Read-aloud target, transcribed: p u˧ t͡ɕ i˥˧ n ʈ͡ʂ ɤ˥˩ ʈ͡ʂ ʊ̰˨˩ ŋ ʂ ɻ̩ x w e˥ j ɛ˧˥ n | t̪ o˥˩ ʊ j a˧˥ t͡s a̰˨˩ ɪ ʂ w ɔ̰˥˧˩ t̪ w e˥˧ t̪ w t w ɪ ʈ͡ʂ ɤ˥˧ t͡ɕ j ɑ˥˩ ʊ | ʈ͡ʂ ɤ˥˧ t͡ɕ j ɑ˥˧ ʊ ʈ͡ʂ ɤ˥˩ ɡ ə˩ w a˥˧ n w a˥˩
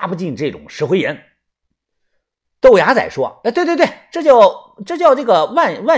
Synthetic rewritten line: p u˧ t͡ɕ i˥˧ n ʈ͡ʂ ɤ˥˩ ʈ͡ʂ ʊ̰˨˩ ŋ ʂ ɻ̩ x w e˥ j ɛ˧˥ n | t̪ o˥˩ ʊ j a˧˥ t͡s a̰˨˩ ɪ ʂ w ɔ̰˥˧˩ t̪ w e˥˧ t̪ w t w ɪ ʈ͡ʂ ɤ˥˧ t͡ɕ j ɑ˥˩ ʊ | ʈ͡ʂ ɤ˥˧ t͡ɕ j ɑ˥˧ ʊ ʈ͡ʂ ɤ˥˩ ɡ ə˩ w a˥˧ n w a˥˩